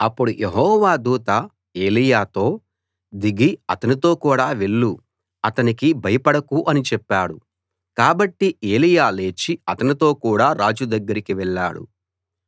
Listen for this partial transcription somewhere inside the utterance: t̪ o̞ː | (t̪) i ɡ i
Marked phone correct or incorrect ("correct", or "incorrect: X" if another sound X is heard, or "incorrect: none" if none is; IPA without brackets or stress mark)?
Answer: incorrect: d̪